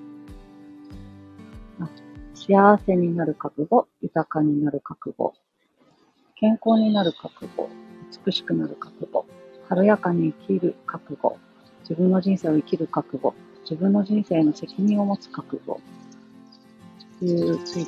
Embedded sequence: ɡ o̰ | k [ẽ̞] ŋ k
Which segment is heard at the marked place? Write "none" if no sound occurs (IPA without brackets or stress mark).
ẽ̞